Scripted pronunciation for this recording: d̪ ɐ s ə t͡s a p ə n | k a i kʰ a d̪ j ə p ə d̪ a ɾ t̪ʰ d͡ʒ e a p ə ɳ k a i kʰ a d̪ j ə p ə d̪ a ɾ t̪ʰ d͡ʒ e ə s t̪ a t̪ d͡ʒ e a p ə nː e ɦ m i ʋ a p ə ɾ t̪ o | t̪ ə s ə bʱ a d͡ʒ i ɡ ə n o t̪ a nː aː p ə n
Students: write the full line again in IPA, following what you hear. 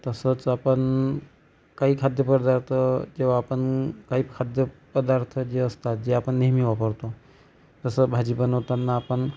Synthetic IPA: t̪ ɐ s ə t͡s a p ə n | k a i kʰ a d̪ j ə p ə d̪ a ɾ t̪ʰ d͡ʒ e a p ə n k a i kʰ a d̪ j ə p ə d̪ a ɾ t̪ʰ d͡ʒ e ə s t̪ a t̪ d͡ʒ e a p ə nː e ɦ m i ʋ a p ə ɾ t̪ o | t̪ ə s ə bʱ a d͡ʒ i b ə n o t̪ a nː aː p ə n